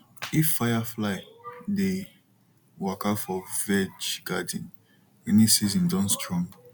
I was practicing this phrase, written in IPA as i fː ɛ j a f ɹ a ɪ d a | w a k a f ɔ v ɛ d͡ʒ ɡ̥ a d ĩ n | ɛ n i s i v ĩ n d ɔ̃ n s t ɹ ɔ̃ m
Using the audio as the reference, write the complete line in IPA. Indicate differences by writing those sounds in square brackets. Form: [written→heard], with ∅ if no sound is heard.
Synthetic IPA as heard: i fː [ɛ→a] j a f [ɹ→l] a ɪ d [a→e] | w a k a f ɔ v ɛ d͡ʒ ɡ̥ a d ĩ n | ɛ n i s i [v→z] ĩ n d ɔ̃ n s t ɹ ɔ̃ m